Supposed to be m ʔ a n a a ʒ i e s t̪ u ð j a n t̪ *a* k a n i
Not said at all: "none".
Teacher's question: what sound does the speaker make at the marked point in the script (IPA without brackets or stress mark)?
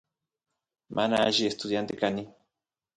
e